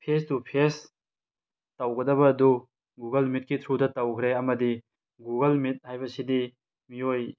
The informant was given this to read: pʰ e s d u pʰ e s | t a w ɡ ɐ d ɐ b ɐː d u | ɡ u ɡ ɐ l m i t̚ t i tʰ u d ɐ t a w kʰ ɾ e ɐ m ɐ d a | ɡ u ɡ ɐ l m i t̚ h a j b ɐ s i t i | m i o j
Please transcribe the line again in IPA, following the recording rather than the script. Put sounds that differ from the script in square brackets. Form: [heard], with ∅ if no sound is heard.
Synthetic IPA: pʰ e s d u pʰ e s | t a w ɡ ɐ d ɐ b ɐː d u | ɡ u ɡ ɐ l m i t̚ [k] i tʰ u d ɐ t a w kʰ ɾ e ɐ m ɐ d [i] | ɡ u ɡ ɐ l m i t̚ h a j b ɐ s i [d] i | m i o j